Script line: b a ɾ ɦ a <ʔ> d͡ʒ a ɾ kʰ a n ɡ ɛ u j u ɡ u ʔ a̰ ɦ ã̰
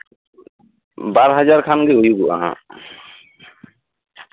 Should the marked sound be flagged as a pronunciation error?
yes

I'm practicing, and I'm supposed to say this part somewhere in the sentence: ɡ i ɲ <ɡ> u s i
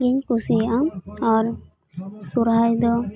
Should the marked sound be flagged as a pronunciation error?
yes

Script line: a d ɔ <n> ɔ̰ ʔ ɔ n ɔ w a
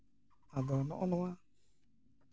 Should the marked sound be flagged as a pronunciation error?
no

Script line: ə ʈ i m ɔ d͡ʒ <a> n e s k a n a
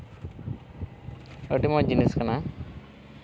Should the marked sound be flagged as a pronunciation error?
yes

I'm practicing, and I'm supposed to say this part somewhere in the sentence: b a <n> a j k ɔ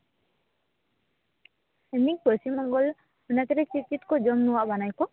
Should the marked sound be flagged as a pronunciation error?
no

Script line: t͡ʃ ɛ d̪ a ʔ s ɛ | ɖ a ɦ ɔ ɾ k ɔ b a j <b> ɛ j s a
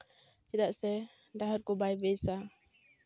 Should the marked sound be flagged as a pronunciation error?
no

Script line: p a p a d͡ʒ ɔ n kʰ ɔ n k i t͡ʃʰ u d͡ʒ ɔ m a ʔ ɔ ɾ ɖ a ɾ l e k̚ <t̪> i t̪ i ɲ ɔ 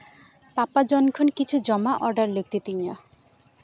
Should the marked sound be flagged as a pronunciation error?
no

